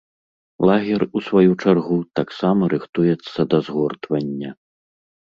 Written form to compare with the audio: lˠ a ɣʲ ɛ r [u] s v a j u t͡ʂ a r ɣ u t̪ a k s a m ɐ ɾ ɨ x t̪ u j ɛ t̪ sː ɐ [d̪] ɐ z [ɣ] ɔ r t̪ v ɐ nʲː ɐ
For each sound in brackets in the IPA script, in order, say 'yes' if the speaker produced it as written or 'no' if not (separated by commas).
yes, yes, yes